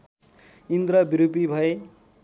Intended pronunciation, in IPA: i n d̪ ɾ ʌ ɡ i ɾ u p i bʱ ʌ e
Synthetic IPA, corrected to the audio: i n d̪ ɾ ʌ b i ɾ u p i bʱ ʌ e